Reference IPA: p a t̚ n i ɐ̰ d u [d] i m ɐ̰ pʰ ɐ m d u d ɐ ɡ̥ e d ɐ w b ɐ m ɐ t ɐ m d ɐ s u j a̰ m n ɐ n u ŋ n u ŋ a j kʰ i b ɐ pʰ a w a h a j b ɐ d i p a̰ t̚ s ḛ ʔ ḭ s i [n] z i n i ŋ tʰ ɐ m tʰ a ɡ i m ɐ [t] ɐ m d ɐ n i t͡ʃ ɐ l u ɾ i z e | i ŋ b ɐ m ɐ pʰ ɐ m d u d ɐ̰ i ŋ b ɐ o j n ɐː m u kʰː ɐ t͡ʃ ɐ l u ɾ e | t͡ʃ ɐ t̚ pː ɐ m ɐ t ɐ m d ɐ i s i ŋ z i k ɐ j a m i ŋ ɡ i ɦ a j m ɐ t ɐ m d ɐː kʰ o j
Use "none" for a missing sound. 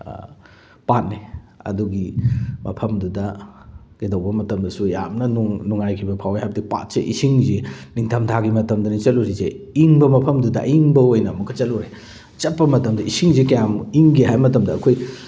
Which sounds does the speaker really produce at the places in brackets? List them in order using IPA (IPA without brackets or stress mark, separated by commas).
ɡ, ŋ, t